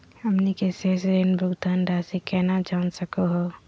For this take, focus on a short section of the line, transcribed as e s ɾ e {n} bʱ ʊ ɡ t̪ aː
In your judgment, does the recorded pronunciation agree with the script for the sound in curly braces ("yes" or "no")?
yes